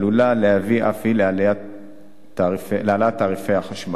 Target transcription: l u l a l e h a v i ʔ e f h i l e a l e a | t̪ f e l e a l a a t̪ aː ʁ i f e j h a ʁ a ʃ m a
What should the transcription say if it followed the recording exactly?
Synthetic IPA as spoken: l u l a l e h a v i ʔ a f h i l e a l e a | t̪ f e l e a l a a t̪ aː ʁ i f e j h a χ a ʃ m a